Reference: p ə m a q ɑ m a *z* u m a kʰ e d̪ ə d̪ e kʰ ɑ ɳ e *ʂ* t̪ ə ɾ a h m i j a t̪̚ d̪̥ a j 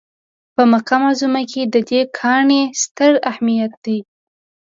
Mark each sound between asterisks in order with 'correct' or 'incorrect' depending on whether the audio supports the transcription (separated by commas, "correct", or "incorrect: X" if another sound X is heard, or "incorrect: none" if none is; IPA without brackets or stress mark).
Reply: correct, incorrect: s